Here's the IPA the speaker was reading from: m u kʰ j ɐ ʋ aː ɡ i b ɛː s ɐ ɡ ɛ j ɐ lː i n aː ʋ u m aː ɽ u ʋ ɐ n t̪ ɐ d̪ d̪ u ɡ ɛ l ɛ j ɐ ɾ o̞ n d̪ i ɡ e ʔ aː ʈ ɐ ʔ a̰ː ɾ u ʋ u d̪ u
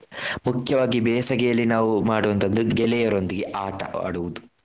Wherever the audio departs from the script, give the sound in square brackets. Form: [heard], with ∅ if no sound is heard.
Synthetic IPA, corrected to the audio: m u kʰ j ɐ ʋ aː ɡ i b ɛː s ɐ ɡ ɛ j ɐ lː i n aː ʋ u m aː ɽ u ʋ ɐ n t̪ ɐ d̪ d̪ u ɡ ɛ l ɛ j ɐ ɾ o̞ n d̪ i ɡ e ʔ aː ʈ ɐ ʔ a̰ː [ɽ] u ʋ u d̪ u